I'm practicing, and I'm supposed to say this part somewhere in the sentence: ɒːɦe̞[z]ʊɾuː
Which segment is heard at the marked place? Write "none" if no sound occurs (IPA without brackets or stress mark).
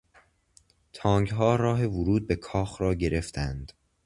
v